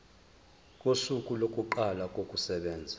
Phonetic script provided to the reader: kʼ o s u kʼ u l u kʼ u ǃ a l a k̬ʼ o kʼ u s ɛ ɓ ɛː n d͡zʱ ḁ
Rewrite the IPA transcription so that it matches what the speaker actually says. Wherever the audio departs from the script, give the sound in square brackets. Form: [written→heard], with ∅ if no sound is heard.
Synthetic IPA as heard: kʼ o s u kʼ u l [u→o] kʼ u ǃ a l a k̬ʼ o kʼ u s ɛ ɓ ɛː n d͡zʱ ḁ